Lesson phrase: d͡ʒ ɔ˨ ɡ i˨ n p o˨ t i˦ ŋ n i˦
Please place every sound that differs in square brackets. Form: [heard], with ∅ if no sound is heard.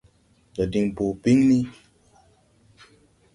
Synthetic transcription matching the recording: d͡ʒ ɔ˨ [d] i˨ [ŋ] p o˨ [p] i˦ ŋ n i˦